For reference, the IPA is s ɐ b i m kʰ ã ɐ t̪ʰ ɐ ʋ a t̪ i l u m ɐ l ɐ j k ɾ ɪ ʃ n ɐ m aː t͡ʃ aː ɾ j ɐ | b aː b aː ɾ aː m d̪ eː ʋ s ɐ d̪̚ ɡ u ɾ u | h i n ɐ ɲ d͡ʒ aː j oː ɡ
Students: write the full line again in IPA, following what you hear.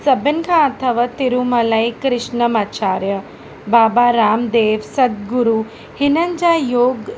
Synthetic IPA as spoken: s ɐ b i n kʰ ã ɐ t̪ʰ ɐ ʋ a t̪ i ɾ u m ɐ l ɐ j k ɾ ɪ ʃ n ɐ m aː t͡ʃ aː ɾ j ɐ | b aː b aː ɾ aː m d̪ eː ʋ s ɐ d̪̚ ɡ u ɾ u | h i n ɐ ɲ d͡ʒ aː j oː ɡ